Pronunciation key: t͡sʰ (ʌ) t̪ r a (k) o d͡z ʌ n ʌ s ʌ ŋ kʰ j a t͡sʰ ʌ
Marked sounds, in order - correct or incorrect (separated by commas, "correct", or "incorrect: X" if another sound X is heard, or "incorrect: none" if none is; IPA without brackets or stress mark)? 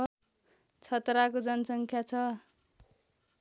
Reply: correct, correct